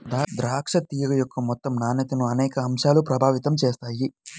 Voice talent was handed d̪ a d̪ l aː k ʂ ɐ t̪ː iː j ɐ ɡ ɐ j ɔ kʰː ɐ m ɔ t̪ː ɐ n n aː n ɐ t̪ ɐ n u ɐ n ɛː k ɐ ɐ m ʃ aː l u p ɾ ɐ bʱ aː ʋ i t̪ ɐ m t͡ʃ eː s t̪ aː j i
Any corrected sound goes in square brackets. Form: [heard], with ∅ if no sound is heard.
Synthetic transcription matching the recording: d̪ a d̪ [ɾ] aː k ʂ ɐ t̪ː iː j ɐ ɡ ɐ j ɔ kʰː ɐ m ɔ t̪ː ɐ [m] n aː n ɐ t̪ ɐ n u ɐ n ɛː k ɐ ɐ m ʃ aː l u p ɾ ɐ bʱ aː ʋ i t̪ ɐ m t͡ʃ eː s t̪ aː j i

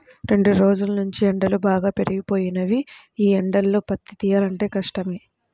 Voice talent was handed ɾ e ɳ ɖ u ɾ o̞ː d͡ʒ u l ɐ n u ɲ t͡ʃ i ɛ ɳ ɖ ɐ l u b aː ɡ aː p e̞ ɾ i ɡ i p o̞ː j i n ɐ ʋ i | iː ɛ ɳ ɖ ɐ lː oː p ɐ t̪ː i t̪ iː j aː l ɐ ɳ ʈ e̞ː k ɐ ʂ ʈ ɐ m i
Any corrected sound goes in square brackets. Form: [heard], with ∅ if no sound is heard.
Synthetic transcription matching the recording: ɾ e ɳ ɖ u ɾ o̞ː d͡ʒ u l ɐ n u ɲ t͡ʃ i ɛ ɳ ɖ ɐ l u b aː ɡ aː p e̞ ɾ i ɡ i p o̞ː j i n ɐ ʋ i | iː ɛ ɳ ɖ ɐ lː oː p ɐ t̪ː i t̪ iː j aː l ɐ ɳ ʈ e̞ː k ɐ ʂ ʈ ɐ m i

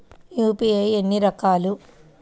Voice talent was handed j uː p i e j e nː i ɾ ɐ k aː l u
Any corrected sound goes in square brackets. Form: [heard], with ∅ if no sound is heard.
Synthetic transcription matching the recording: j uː p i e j e nː i ɾ ɐ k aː l u

